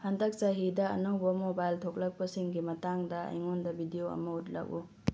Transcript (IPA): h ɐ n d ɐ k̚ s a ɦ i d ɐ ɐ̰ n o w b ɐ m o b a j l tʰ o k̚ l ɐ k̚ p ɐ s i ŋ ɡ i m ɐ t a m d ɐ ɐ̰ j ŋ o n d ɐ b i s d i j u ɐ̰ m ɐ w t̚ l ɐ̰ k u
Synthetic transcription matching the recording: h ɐ n d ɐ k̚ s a ɦ i d ɐ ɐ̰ n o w b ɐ m o b a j l tʰ o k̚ l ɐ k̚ p ɐ s i ŋ ɡ i m ɐ t a ŋ d ɐ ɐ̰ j ŋ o n d ɐ b i d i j o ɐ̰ m ɐ u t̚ l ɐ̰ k u